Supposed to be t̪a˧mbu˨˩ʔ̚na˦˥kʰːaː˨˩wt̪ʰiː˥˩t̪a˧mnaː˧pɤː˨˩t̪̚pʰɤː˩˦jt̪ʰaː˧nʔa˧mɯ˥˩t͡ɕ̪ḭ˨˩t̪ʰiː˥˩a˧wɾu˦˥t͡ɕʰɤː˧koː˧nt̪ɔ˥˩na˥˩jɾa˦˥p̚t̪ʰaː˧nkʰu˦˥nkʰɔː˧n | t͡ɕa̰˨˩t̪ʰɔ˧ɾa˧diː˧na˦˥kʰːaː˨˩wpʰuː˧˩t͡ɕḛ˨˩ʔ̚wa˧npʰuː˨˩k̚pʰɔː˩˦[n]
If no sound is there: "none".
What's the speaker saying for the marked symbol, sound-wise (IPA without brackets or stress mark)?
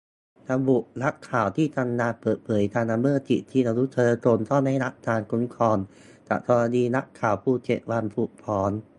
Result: n